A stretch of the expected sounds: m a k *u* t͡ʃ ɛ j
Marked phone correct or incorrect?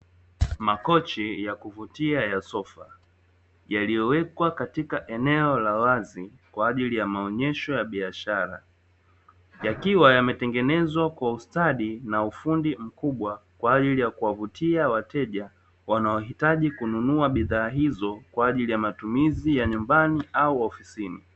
incorrect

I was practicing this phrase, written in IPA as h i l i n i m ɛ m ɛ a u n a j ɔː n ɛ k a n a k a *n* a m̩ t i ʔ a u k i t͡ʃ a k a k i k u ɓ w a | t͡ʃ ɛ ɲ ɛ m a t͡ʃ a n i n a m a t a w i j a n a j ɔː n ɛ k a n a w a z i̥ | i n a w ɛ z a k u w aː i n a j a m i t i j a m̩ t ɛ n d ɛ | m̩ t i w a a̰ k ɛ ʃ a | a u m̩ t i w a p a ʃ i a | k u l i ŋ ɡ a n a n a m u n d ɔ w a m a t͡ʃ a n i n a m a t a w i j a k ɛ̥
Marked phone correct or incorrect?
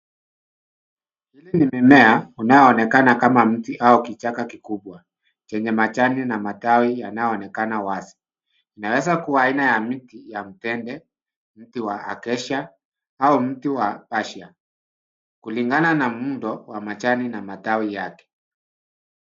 incorrect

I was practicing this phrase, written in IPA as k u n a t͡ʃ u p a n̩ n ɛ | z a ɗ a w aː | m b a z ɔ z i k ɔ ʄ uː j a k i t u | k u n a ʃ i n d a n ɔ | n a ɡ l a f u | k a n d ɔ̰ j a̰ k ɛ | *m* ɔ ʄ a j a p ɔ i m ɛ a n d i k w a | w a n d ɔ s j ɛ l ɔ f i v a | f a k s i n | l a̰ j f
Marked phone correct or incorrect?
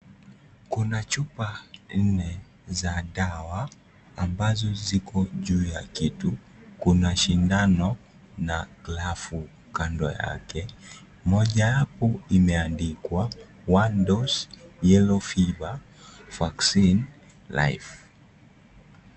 correct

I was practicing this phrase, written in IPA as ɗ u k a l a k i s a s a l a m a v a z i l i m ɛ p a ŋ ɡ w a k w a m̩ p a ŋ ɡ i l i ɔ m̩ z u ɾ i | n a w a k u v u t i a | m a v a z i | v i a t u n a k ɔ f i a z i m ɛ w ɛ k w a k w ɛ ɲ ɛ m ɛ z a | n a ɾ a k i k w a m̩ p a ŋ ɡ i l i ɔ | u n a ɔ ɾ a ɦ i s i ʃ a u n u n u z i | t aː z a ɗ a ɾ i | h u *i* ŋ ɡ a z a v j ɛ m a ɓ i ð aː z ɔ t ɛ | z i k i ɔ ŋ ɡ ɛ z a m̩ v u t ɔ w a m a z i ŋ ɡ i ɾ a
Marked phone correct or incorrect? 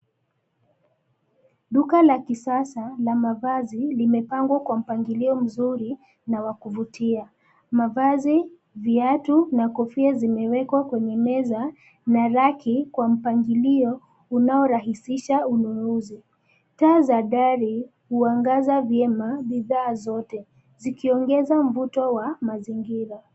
incorrect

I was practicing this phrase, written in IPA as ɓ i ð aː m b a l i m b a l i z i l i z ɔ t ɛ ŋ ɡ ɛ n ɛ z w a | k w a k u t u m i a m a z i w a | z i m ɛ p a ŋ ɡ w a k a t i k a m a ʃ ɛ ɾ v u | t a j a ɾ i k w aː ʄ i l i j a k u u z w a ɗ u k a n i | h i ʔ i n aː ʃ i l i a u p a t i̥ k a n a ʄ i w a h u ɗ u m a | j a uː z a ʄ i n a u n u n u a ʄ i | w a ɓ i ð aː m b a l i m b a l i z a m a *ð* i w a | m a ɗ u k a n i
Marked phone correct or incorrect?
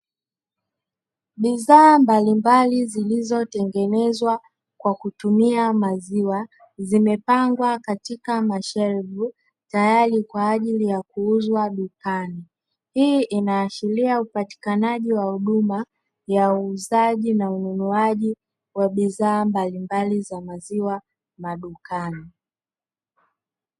incorrect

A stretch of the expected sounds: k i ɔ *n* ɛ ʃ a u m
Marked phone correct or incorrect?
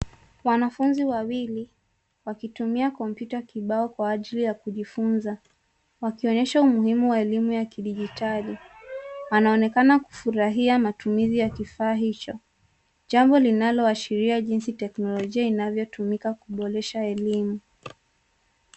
incorrect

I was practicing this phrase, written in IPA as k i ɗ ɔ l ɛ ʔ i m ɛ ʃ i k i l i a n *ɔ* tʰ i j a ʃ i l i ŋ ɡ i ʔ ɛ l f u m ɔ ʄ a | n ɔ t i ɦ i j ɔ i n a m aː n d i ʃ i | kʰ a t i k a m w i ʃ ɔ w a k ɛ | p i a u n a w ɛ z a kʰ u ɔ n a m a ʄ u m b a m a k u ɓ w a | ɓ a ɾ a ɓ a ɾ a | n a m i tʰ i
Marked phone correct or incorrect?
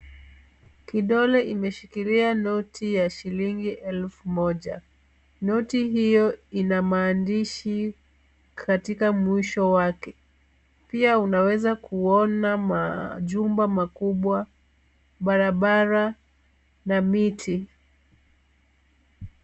correct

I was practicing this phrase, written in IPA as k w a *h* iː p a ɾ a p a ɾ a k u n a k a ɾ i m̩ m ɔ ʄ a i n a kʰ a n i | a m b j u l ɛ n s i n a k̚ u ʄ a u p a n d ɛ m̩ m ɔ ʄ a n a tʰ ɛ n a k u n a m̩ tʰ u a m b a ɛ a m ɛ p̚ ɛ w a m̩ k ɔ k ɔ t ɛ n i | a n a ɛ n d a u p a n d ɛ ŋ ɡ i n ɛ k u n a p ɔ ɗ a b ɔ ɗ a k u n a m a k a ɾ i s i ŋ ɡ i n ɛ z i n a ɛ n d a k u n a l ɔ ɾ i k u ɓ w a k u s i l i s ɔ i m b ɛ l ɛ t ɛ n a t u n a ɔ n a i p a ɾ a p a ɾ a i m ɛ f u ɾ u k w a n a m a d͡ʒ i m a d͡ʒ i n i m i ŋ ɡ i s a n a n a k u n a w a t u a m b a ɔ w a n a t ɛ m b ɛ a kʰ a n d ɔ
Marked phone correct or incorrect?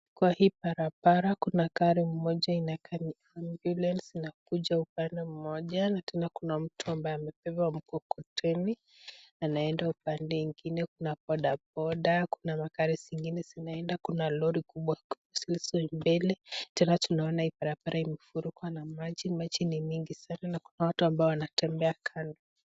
correct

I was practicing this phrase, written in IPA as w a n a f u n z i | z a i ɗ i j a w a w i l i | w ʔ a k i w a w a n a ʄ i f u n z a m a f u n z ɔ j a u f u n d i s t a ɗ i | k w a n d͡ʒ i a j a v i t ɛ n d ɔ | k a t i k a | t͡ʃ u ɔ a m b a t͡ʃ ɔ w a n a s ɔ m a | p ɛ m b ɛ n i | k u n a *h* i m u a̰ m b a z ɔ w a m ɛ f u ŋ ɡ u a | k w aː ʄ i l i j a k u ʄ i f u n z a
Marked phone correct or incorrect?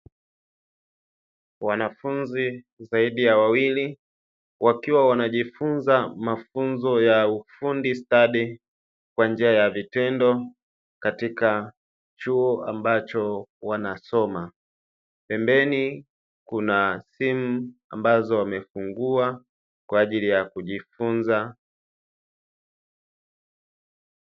incorrect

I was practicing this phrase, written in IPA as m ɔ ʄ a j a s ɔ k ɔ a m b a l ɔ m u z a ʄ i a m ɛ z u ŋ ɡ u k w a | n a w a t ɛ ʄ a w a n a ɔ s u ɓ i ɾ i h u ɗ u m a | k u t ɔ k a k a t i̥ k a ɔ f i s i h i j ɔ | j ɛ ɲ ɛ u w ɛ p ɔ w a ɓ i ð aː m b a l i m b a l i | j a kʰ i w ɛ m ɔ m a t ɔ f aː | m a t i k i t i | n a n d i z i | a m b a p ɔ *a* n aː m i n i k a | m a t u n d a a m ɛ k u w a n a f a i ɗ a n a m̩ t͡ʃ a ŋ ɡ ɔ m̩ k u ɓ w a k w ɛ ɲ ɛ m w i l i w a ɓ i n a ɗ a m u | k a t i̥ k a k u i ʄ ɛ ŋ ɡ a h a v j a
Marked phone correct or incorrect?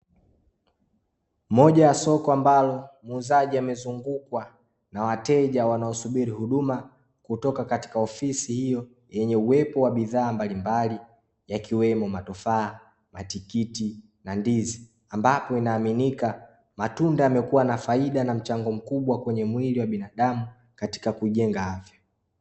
incorrect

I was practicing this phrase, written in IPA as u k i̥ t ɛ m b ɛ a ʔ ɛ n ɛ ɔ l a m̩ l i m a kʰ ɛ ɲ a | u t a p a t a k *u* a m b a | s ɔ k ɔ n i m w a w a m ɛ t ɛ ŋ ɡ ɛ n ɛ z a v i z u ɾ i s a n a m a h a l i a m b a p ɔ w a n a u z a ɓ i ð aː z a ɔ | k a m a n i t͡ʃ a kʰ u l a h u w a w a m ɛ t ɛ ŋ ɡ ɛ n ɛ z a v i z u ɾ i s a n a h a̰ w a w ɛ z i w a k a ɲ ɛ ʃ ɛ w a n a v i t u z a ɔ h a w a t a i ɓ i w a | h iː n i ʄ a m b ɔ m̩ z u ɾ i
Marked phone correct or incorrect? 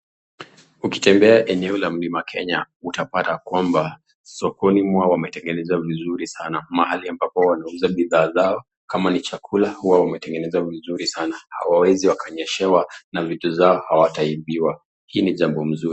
incorrect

